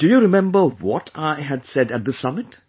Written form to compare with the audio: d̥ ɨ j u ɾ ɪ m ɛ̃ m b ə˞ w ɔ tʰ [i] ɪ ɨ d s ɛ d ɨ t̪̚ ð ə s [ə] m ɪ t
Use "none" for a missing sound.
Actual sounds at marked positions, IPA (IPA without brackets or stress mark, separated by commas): a, ʌ